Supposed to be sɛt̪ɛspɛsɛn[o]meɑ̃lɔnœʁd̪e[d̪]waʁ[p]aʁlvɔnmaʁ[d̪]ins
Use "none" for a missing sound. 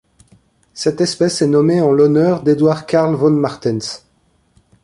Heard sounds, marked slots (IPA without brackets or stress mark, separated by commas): ɔ, d̪, k, t̪